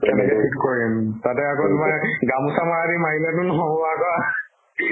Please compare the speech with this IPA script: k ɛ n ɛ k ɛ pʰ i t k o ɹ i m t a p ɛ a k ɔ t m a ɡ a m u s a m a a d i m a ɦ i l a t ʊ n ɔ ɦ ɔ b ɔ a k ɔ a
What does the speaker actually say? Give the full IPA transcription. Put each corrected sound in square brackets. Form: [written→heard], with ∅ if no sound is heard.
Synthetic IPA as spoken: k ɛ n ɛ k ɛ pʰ i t k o ɹ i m t a [p→t] ɛ a k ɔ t m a ɡ a m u s a m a a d i m a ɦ i l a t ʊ n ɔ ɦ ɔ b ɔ a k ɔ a

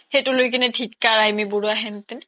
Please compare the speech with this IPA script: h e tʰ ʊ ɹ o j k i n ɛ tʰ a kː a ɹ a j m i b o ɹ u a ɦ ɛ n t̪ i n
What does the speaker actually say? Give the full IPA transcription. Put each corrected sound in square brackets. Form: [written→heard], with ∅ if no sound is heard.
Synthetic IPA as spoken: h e [tʰ→t] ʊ [ɹ→l] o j k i n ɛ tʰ [a→i] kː a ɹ a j m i b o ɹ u a ɦ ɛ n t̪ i n

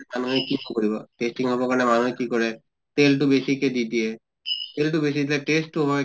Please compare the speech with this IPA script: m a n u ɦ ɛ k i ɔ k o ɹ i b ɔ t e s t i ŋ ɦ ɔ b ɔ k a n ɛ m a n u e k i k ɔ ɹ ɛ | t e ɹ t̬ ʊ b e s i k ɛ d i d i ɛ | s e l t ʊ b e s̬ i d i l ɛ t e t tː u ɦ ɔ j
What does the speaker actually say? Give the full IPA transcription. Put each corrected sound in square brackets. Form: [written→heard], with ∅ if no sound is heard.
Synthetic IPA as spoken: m a n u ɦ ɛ k i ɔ k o ɹ i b ɔ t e s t i ŋ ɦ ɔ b ɔ k a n ɛ m a n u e k i k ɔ ɹ ɛ | t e [ɹ→l] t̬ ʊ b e s i k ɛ d i d i ɛ | [s→t] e l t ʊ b e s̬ i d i l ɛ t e [t→s] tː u ɦ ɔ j

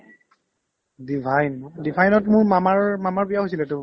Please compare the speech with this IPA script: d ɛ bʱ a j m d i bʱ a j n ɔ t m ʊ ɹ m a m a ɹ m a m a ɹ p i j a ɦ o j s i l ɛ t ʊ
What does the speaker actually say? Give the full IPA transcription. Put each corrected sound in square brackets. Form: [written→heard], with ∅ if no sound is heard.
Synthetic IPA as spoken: d [ɛ→i] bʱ a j [m→n] d i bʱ a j n ɔ t m ʊ ɹ m a m a ɹ m a m a ɹ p i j a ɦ o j s i l ɛ t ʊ

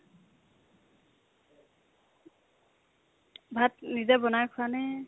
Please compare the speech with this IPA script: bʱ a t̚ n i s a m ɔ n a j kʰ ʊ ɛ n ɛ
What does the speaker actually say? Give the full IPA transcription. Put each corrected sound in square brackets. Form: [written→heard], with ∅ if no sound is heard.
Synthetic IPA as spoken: bʱ a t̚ n i [s→z] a [m→b] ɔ n a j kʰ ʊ [ɛ→a] n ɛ

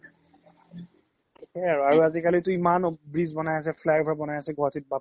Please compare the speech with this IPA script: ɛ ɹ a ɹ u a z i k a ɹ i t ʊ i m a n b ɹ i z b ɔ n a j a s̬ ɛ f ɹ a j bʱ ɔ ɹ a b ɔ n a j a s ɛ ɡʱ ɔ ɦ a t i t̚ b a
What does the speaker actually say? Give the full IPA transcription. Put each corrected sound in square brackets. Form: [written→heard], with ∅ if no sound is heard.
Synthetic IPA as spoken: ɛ ɹ a ɹ u a z i k a [ɹ→l] i t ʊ i m a n b ɹ i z b ɔ n a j a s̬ ɛ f [ɹ→l] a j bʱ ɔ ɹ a b ɔ n a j a s ɛ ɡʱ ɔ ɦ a t i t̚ b a

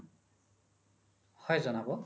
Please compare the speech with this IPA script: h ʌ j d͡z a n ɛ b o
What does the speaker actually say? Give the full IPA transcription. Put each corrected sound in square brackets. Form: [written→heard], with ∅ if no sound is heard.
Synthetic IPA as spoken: h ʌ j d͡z [a→ʌ] n [ɛ→a] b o

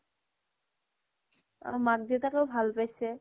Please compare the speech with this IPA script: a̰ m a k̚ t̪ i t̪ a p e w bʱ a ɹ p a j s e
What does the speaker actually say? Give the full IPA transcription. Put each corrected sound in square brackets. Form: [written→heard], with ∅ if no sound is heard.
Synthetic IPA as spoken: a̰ m a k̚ [t̪→d̪] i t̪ a [p→k] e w bʱ a [ɹ→l] p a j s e

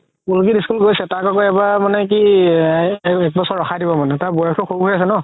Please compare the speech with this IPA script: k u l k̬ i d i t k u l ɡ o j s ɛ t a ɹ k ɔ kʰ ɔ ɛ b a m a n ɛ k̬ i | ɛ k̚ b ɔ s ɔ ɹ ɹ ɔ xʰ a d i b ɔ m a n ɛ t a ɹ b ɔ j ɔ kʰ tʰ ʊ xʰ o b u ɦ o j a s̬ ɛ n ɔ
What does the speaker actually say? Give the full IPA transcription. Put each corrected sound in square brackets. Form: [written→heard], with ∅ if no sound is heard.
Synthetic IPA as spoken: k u l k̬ i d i [t→s] k u l ɡ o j s ɛ t a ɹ k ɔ [kʰ→k] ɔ ɛ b a m a n ɛ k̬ i | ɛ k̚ b ɔ s ɔ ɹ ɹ ɔ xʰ a d i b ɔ m a n ɛ t a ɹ b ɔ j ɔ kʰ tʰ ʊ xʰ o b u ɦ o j a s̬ ɛ n ɔ

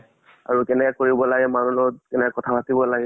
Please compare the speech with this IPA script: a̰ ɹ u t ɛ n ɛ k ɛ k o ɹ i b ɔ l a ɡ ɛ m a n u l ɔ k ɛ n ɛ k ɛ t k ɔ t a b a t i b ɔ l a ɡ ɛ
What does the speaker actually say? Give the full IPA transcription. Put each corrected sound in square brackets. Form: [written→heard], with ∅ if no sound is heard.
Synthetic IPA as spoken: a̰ ɹ u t ɛ n ɛ k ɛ k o ɹ i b ɔ l a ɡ ɛ m a n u l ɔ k ɛ n ɛ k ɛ [t→∅] k ɔ [t→tʰ] a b a t i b ɔ l a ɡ ɛ

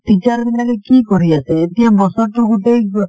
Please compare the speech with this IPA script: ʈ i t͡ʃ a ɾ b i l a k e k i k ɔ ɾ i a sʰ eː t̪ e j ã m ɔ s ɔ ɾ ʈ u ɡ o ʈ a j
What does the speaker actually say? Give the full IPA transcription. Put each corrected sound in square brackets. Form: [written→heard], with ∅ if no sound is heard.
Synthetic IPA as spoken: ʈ i t͡ʃ a ɾ b i l a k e k i k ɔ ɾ i a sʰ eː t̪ [e→i] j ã [m→b] ɔ s ɔ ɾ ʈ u ɡ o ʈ [a→e] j

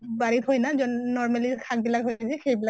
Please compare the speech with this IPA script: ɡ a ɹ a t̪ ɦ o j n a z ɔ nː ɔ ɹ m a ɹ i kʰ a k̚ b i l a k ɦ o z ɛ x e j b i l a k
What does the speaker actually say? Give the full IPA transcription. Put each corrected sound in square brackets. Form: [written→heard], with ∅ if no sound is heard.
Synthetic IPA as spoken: [ɡ→b] a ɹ [a→i] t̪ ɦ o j n a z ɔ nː ɔ ɹ m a [ɹ→l] i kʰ a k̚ b i l a k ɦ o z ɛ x e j b i l a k

